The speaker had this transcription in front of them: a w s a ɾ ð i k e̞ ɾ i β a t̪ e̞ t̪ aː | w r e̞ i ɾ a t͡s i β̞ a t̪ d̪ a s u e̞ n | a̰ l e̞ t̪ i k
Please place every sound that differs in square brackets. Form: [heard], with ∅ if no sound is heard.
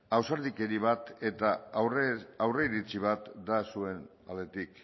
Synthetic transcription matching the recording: a w s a ɾ ð i k e̞ ɾ i β a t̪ e̞ t̪ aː | w r e̞ i ɾ [i] t͡s i β̞ a t̪ d̪ a s u e̞ n | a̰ l e̞ t̪ i k